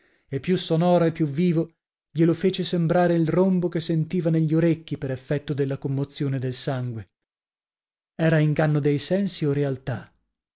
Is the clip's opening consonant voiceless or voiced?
voiceless